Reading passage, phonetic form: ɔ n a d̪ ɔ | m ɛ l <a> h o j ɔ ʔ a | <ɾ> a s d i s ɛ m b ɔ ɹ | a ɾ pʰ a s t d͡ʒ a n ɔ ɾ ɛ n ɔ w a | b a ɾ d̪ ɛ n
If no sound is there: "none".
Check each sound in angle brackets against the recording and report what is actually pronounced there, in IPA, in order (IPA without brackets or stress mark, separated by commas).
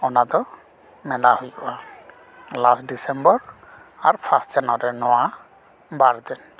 a, l